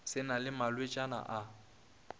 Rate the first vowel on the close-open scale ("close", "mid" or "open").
close